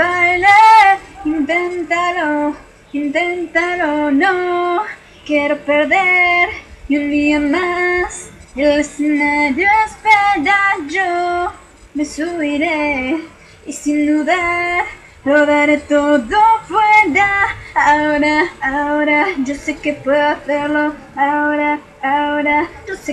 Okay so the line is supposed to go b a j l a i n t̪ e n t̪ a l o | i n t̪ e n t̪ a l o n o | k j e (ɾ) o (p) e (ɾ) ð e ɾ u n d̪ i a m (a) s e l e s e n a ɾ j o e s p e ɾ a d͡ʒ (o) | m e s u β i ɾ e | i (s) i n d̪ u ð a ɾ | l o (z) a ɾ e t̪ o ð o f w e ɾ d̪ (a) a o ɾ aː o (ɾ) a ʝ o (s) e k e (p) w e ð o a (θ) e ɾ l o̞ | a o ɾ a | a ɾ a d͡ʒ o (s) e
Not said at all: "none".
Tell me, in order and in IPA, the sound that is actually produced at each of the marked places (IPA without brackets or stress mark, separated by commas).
ɾ, p, ɾ, a, o, s, ð, a, ɾ, s, p, θ, s